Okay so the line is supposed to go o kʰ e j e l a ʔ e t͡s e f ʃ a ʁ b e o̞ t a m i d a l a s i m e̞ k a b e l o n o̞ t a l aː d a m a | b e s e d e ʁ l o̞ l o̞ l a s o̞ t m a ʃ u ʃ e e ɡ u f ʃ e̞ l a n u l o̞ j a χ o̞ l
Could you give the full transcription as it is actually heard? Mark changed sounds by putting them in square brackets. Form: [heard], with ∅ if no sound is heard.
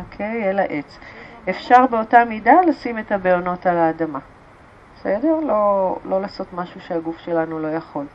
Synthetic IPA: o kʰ e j e l a ʔ e t͡s e f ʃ a ʁ b e o̞ t a m i d a l a s i m e̞ [t] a b e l o n o̞ t a l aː d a m a | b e s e d e ʁ l o̞ l o̞ l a s o̞ t m a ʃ u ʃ e [a] ɡ u f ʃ e̞ l a n u l o̞ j a χ o̞ l